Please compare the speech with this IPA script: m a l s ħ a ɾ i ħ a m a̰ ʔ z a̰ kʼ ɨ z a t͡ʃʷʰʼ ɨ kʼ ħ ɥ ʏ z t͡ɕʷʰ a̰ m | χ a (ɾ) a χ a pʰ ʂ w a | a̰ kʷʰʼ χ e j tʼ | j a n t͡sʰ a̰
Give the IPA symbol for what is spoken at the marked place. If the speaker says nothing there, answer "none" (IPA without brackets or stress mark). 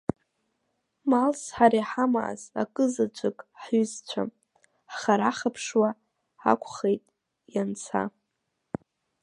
ɾ